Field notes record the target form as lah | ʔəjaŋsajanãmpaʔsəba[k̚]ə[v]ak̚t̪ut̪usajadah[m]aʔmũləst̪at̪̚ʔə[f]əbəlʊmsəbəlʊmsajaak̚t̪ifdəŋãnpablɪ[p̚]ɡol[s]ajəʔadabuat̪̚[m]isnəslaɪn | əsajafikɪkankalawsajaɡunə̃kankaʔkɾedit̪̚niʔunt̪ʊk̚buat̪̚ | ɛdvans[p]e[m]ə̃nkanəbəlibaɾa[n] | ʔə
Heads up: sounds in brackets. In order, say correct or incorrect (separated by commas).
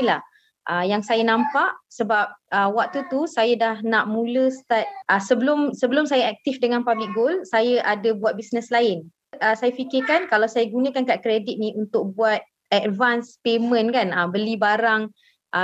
incorrect, incorrect, incorrect, incorrect, incorrect, correct, incorrect, correct, correct, incorrect